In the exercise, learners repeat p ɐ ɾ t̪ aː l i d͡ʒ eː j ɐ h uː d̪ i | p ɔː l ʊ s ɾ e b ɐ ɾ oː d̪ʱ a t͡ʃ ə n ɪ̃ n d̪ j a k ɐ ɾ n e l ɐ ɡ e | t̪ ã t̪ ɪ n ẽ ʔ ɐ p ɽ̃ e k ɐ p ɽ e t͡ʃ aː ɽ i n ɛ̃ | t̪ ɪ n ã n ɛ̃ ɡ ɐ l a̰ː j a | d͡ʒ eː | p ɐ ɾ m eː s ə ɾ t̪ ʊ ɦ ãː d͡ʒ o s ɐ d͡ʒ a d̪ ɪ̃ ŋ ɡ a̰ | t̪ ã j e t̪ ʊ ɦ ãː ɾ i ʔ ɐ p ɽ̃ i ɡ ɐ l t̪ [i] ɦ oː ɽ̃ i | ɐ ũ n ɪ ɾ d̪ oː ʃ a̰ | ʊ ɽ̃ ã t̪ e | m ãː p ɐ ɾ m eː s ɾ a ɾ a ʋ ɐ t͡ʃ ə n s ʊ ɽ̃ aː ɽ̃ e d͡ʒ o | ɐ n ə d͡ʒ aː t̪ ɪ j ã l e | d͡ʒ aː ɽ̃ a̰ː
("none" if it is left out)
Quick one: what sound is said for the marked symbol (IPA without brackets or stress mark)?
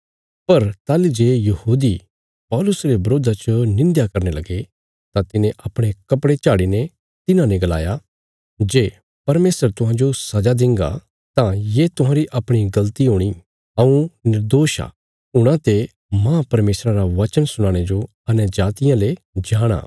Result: i